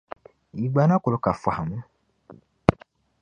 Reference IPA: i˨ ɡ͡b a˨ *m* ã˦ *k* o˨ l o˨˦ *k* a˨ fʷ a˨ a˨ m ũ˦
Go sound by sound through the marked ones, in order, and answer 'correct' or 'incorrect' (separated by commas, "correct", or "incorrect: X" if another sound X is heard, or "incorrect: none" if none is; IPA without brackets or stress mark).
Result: incorrect: n, correct, correct